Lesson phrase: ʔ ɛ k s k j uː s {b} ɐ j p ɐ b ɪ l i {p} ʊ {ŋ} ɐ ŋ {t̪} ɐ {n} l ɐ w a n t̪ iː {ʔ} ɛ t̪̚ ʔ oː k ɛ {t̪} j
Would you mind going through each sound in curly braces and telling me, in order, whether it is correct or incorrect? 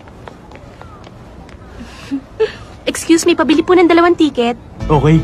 incorrect: m, correct, incorrect: n, incorrect: d̪, incorrect: none, incorrect: k, incorrect: none

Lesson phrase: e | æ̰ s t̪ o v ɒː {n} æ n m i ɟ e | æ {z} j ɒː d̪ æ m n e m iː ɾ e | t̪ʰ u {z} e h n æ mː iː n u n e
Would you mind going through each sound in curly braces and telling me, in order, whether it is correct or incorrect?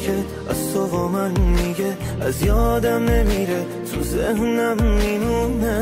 incorrect: m, correct, correct

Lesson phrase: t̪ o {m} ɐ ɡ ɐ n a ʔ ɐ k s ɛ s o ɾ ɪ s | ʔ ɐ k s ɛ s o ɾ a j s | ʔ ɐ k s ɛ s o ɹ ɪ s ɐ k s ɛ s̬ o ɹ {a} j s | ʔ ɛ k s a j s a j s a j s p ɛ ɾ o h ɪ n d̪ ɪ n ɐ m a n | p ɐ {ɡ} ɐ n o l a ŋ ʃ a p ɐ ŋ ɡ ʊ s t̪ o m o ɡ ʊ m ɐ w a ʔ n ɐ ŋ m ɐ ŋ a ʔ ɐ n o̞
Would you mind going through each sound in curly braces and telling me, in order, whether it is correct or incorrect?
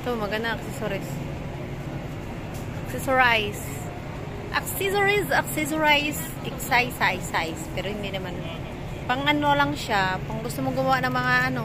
correct, correct, incorrect: ŋ

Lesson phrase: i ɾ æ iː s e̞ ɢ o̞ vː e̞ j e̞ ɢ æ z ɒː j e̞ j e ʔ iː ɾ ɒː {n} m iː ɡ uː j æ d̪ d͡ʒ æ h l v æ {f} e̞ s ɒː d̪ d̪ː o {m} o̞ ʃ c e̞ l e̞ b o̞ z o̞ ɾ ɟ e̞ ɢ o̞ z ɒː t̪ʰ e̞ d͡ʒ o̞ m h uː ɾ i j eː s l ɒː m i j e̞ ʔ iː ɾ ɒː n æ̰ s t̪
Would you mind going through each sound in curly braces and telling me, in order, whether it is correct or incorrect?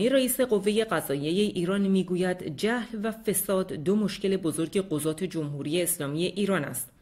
correct, correct, correct

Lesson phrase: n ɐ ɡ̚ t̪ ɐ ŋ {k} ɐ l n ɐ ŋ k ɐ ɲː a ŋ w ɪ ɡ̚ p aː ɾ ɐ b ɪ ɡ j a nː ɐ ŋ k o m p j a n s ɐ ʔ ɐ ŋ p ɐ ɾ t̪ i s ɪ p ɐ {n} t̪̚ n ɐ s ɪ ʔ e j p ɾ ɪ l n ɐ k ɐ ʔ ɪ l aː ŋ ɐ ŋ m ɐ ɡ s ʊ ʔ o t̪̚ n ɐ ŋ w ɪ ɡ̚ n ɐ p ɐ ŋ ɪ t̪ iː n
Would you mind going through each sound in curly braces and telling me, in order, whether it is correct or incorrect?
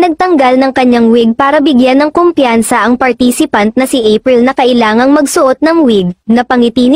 incorrect: ɡ, correct

